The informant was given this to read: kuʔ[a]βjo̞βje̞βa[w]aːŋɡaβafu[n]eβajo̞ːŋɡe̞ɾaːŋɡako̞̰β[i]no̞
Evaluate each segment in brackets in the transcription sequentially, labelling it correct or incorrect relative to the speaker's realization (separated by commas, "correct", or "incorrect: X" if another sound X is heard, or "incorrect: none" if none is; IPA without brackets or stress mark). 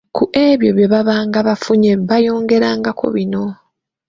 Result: incorrect: e, incorrect: β, incorrect: ɲ, correct